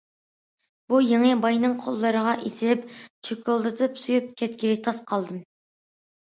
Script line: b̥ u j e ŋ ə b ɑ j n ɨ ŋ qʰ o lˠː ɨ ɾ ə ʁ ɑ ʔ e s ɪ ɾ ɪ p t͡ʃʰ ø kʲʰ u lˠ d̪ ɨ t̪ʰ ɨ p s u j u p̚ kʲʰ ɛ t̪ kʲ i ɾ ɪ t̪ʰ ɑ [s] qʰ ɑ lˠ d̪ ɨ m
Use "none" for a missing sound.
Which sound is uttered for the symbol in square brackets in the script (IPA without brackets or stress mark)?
s